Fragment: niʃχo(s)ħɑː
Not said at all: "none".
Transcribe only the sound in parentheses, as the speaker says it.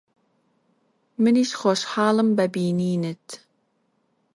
ʃ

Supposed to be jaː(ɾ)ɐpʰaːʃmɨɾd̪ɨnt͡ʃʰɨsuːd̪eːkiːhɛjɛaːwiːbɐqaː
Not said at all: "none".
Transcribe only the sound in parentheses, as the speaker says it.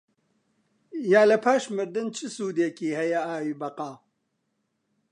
l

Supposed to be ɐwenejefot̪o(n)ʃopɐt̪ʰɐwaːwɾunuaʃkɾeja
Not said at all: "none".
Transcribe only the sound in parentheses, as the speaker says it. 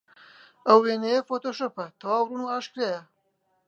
none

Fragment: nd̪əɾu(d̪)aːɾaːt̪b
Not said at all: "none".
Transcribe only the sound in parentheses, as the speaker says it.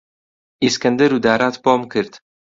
d̪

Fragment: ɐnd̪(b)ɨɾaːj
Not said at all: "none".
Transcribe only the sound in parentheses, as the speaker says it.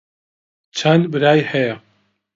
b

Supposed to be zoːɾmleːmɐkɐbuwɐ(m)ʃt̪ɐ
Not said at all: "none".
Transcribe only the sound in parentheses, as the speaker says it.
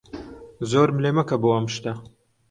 m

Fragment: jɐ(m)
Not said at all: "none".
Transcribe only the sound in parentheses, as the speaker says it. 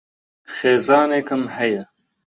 none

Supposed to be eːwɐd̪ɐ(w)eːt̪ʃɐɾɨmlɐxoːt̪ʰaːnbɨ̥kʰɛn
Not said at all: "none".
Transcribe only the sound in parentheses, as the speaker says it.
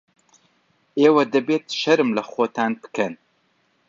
b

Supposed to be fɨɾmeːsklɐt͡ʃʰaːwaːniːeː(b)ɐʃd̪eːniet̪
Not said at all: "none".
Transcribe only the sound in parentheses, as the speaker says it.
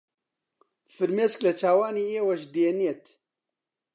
w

